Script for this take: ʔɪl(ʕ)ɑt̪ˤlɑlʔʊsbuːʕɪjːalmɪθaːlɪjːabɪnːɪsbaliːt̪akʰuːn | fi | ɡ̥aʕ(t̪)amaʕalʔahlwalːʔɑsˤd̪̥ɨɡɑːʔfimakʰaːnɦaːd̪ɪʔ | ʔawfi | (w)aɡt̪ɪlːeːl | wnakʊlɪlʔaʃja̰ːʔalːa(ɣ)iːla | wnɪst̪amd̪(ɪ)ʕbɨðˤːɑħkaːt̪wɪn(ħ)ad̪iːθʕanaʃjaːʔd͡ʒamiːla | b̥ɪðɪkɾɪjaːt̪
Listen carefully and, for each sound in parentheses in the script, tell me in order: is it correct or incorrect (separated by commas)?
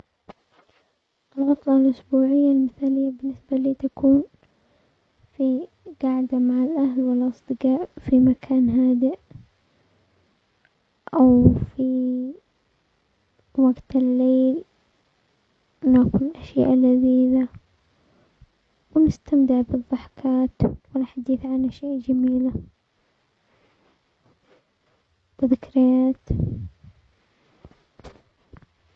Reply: incorrect, incorrect, correct, incorrect, correct, correct